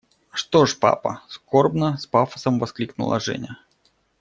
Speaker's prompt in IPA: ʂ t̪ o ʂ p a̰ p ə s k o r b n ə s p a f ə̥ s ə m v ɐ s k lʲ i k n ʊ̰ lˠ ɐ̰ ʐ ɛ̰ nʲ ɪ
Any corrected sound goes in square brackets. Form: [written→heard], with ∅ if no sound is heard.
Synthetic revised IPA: ʂ t̪ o ʂ p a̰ p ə s k o r b n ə s p a f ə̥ s ə m v ɐ s k lʲ i k n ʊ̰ lˠ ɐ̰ ʐ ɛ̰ nʲ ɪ